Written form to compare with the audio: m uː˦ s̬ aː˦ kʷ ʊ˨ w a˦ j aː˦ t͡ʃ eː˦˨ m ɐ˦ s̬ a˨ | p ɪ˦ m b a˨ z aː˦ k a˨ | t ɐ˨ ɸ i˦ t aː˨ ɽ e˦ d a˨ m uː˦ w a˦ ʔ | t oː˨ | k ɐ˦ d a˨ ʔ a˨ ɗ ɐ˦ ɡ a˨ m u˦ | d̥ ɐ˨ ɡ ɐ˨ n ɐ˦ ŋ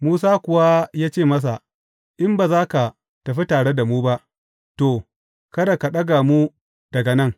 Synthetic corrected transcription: m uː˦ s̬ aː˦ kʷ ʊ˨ w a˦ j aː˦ t͡ʃ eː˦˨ m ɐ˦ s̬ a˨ | ʔ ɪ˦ m b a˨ z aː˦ k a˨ | t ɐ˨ ɸ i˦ t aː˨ ɽ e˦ d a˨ m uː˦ b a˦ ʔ | t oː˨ | k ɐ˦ d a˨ k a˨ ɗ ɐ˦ ɡ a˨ m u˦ | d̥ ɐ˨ ɡ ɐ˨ n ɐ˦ ŋ